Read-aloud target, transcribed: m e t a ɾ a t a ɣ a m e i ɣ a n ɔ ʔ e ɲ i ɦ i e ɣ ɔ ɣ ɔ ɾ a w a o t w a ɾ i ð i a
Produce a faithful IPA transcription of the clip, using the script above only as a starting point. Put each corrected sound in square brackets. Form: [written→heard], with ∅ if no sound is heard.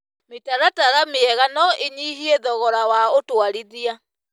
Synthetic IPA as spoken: m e t a ɾ a t a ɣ a m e [i→ɛ] ɣ a n ɔ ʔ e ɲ i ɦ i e [ɣ→ð] ɔ ɣ ɔ ɾ a w a o t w a ɾ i ð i a

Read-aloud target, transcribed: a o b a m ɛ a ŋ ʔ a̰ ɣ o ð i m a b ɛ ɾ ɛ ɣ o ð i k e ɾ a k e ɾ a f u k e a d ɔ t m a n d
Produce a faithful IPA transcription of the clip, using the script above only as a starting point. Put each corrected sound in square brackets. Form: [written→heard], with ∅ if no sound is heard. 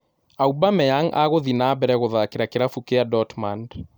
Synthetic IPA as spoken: a [o→u] b a m ɛ a ŋ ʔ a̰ ɣ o ð i [m→n] a b ɛ ɾ ɛ ɣ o ð [i→a] k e ɾ a k e ɾ a f u k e a d ɔ t m a n d

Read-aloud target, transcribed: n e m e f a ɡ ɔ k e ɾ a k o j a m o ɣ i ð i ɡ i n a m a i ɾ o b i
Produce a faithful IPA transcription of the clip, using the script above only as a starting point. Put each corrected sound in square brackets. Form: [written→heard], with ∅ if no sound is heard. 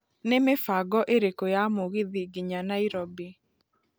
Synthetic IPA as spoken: n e m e f a ɡ ɔ [k→ʔ] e ɾ [a→e] k o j a m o ɣ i ð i ɡ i [n→ɲ] a [m→n] a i ɾ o b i

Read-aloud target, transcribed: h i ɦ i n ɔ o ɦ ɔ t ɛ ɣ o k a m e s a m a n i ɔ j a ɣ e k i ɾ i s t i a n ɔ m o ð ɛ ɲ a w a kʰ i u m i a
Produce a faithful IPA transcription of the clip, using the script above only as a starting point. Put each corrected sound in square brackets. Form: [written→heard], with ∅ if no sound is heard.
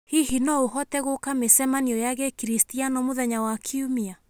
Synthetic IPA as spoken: h i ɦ i n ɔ o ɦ ɔ t ɛ ɣ o k a m e s [a→ɛ] m a n i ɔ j a ɣ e k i ɾ i s t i a n ɔ m o ð ɛ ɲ a w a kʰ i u m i a

